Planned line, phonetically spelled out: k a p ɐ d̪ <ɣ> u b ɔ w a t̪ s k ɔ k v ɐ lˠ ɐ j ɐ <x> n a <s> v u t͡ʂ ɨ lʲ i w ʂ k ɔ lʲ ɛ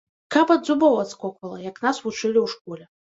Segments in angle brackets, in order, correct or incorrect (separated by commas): incorrect, incorrect, correct